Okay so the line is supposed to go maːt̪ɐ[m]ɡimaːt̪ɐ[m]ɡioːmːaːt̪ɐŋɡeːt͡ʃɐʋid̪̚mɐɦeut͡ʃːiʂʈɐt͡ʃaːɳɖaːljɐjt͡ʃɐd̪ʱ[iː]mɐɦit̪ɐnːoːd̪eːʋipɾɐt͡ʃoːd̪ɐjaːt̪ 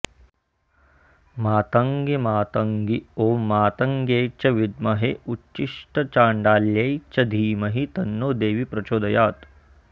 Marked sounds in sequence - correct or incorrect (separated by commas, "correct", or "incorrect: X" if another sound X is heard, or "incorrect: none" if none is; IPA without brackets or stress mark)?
incorrect: ŋ, incorrect: ŋ, correct